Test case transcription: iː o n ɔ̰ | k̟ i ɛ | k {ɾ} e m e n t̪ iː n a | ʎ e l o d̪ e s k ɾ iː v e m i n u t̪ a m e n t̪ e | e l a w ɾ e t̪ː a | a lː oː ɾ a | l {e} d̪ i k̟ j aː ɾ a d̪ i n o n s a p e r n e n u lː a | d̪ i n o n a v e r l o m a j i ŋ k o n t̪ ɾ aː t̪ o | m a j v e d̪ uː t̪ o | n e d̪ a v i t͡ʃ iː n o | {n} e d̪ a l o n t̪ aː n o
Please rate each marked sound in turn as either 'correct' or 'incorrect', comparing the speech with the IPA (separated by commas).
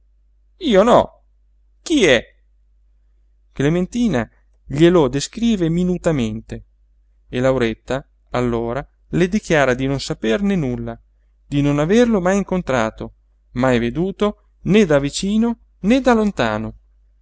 incorrect, correct, correct